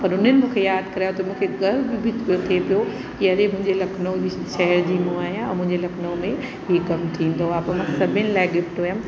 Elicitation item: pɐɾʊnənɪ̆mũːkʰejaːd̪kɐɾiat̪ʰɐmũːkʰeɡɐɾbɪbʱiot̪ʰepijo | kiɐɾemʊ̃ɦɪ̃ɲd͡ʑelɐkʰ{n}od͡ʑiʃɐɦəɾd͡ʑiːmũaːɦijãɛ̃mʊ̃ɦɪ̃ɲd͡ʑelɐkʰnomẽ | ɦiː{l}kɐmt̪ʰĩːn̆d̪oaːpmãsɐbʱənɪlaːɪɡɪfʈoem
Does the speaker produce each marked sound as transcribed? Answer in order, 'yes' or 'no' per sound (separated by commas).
yes, no